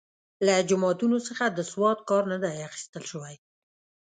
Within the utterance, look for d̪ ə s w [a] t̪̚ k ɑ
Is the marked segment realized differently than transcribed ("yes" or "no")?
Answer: yes